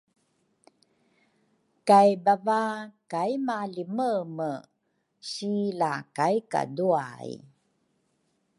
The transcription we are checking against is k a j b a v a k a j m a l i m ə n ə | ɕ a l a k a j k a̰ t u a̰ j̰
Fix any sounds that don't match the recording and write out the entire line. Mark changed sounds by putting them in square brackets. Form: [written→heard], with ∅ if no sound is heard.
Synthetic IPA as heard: k a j b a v a k a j m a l i m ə [n→m] ə | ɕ [a→i] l a k a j k a̰ [t→d] u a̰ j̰